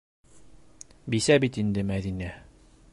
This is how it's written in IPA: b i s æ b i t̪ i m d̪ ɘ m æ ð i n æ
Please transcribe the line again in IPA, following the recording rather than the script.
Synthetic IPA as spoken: b i s æ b i t̪ i n d̪ ɘ m æ ð i n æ